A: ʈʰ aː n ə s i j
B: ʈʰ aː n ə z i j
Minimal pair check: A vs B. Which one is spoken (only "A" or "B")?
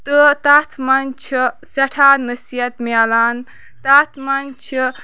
A